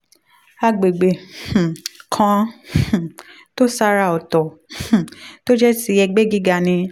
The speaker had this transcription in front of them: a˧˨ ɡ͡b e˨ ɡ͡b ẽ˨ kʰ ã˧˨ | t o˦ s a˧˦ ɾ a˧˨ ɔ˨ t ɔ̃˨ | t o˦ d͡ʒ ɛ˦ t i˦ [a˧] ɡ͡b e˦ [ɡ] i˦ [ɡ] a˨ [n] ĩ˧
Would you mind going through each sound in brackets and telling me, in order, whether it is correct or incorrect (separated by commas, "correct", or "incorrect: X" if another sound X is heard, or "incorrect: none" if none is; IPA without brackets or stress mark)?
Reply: incorrect: ɛ˧, correct, correct, correct